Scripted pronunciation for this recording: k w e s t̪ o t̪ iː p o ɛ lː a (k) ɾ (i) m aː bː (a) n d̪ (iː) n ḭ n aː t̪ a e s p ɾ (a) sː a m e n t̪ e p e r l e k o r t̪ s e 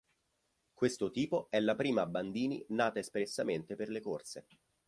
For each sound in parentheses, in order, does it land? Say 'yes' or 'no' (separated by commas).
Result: no, no, yes, yes, no